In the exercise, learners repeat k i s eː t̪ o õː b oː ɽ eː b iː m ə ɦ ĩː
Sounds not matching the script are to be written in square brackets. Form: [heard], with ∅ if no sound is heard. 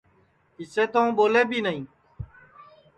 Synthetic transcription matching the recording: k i s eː t̪ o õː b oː [l] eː b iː [n] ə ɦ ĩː